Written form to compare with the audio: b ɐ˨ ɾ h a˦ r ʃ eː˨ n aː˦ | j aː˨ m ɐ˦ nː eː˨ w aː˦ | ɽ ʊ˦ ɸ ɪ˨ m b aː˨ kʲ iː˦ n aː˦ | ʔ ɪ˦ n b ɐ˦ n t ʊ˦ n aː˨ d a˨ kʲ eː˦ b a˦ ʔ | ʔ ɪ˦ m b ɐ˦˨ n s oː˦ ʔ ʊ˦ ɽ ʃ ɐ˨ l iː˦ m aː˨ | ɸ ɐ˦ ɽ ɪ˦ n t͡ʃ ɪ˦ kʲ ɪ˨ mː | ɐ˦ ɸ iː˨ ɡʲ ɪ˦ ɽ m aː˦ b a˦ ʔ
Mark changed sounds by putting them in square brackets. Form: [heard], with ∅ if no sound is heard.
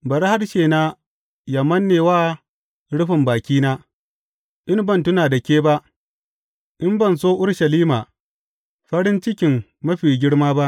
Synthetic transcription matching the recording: b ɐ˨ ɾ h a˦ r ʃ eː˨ n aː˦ | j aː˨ m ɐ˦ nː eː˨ w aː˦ | ɽ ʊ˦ ɸ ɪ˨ m b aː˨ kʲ iː˦ n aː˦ | ʔ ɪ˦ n b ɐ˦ n t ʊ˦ n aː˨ d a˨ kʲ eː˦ b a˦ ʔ | ʔ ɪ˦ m b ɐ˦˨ n s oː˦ ʔ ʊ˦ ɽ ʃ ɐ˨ l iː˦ m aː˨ | ɸ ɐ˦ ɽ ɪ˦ n t͡ʃ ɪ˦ kʲ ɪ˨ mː | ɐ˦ ɸ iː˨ ɡʲ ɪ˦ ɽ m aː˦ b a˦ ʔ